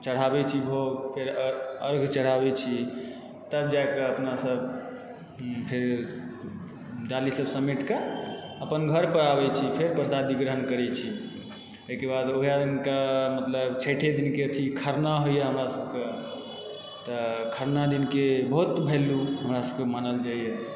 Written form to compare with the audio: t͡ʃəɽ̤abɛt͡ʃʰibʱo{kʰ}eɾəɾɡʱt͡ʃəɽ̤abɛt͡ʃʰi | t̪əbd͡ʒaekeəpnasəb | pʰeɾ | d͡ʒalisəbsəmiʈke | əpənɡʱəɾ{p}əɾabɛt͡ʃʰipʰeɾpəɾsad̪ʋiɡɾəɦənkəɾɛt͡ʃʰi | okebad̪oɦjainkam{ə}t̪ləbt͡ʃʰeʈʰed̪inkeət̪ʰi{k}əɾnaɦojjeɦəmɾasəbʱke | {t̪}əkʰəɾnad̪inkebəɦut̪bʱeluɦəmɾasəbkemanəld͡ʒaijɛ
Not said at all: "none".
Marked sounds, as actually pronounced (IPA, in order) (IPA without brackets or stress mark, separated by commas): pʰ, p, ə, kʰ, t̪